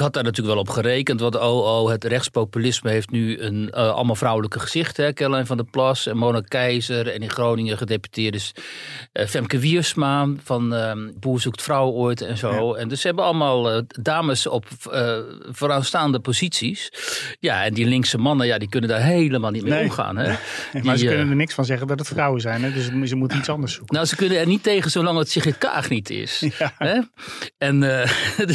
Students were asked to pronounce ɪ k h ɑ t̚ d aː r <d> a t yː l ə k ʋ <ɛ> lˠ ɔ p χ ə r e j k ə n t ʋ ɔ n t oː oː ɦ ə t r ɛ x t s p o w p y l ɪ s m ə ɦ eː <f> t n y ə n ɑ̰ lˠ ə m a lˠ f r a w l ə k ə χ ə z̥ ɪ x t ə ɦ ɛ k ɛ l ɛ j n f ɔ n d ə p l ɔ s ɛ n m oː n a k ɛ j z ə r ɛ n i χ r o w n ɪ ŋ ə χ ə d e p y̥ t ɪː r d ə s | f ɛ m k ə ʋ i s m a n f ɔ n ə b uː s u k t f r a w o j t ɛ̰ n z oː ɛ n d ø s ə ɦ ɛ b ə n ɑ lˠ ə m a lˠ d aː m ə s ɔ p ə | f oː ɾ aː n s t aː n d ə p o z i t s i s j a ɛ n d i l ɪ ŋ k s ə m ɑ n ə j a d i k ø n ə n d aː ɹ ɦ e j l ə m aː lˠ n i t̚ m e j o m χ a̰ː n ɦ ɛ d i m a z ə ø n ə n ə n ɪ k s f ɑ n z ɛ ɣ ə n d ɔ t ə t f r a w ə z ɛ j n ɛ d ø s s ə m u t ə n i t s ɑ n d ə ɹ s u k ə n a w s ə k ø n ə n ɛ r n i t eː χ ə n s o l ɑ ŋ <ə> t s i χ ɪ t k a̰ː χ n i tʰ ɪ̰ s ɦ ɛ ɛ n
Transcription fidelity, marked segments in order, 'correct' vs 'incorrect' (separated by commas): incorrect, correct, correct, correct